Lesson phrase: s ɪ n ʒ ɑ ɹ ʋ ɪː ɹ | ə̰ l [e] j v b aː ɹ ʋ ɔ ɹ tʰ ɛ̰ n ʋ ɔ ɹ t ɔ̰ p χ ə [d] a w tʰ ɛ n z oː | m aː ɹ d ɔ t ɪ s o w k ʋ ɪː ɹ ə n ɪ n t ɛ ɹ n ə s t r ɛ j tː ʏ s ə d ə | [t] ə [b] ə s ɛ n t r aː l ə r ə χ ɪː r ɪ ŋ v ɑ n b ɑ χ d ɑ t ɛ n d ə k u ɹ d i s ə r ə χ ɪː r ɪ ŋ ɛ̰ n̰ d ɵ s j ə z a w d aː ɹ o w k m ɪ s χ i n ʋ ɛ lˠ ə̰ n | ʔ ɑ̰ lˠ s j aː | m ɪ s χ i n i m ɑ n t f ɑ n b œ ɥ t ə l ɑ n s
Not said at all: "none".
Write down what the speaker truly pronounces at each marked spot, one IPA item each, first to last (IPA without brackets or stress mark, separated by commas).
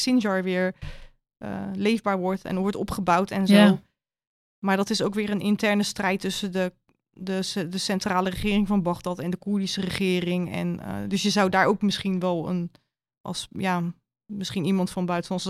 e, b, d, d